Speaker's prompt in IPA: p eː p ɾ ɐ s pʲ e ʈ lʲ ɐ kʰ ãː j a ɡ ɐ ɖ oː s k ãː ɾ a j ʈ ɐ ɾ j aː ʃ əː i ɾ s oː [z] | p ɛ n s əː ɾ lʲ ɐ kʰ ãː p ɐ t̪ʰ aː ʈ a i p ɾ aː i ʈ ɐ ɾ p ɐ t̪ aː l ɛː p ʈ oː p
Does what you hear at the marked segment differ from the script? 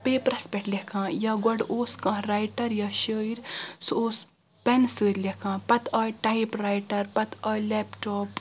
yes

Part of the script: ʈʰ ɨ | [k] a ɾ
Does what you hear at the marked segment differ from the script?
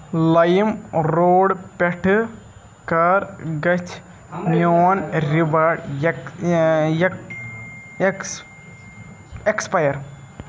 no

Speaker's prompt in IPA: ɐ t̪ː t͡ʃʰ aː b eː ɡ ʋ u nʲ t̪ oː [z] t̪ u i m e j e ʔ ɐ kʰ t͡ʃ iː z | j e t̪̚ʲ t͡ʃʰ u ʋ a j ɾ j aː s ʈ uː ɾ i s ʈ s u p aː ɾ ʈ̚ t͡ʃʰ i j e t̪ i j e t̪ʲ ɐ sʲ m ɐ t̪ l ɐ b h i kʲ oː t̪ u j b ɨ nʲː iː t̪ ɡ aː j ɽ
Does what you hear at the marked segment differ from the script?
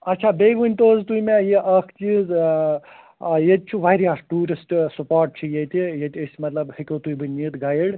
no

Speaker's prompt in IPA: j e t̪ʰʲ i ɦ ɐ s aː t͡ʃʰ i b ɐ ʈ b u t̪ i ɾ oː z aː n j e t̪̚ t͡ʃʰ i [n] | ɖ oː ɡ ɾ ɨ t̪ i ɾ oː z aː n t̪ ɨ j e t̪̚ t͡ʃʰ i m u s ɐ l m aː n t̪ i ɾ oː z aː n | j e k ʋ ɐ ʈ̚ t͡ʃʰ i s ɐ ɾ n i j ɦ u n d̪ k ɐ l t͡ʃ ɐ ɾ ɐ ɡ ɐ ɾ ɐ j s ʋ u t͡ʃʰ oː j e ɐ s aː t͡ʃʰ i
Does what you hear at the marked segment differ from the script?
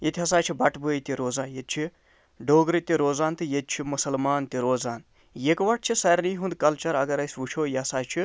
yes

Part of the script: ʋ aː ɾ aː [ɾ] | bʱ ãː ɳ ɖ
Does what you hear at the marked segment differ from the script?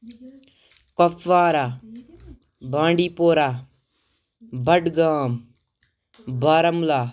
yes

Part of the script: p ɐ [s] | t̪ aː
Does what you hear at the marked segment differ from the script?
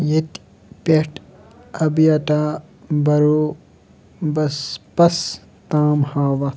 no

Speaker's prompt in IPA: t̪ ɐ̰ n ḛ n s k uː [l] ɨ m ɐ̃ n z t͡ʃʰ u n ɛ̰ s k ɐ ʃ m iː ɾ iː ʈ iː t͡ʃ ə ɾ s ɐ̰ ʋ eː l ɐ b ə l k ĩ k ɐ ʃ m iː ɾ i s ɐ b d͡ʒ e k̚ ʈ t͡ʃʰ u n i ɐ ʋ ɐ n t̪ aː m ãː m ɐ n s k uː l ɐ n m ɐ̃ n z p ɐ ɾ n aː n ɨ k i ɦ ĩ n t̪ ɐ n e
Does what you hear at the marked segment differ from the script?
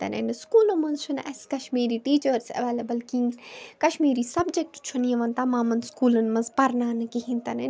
no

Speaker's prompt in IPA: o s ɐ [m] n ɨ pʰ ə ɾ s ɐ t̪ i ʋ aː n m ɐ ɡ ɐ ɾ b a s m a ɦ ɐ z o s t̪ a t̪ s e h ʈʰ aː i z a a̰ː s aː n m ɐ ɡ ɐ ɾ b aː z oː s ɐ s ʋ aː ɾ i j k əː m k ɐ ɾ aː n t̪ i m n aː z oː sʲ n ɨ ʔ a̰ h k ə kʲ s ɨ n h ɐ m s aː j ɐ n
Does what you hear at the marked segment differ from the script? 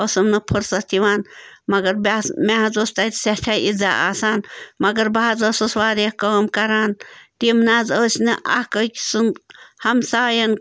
no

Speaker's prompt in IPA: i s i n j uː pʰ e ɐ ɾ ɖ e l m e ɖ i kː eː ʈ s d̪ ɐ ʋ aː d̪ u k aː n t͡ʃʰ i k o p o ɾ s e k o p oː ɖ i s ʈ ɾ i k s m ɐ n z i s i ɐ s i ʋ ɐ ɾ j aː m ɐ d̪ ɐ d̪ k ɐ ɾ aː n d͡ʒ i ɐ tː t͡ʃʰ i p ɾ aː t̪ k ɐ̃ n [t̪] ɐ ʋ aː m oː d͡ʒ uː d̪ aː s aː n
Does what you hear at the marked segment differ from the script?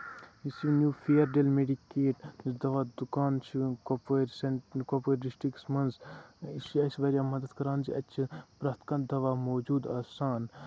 yes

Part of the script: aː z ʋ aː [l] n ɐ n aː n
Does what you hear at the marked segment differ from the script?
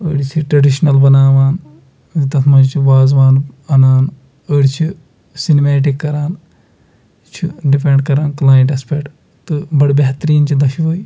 yes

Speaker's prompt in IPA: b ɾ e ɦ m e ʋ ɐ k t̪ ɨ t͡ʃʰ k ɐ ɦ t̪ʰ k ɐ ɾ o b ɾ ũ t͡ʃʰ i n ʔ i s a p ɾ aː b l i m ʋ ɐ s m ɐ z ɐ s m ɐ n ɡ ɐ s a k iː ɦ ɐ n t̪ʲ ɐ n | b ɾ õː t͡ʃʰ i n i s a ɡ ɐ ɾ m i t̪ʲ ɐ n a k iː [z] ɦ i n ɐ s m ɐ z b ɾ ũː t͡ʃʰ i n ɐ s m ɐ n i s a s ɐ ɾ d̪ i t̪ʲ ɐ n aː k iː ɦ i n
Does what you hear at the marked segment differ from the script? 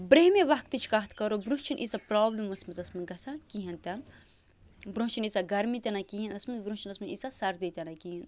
yes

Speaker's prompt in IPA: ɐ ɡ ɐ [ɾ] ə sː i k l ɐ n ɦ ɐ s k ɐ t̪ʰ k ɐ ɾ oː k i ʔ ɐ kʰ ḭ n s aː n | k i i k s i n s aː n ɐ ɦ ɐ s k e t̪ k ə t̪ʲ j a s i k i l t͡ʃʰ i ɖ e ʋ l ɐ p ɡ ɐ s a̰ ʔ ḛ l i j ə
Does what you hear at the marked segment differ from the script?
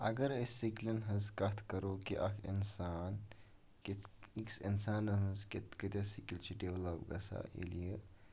no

